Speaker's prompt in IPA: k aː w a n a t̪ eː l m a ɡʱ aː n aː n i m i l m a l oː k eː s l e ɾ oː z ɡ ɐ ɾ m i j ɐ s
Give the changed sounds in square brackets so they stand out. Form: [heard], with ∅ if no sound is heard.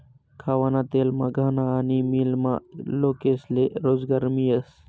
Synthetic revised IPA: [kʰ] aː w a n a t̪ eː l m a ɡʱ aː n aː n i m i l m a l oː k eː s l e ɾ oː z ɡ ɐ ɾ m i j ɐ s